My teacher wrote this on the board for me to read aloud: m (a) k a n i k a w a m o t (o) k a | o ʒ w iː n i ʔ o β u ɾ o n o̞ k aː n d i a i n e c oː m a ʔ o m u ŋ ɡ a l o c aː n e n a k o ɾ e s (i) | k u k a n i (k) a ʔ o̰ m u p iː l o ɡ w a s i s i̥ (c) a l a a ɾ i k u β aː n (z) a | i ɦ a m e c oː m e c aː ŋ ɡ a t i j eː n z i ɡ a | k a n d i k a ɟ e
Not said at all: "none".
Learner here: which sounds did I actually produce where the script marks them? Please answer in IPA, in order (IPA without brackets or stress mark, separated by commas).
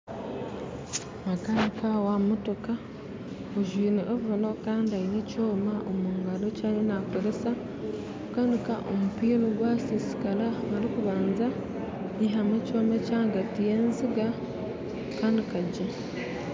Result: a, o, a, k, k, z